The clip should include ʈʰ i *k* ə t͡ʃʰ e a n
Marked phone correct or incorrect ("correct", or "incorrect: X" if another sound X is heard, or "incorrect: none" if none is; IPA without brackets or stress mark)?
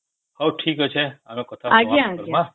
correct